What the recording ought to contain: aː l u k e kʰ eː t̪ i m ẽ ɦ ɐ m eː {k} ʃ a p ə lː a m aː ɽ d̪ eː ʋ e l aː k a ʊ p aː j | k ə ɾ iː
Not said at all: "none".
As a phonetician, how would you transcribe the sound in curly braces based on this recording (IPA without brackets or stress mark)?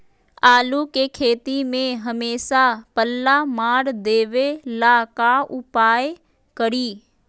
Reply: none